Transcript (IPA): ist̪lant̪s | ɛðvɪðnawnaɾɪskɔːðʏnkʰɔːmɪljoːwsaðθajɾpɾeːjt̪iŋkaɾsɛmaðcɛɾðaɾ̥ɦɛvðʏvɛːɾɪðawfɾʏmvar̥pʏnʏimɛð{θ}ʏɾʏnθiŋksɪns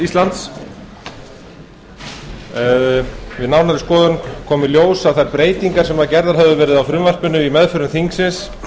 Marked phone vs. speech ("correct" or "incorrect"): incorrect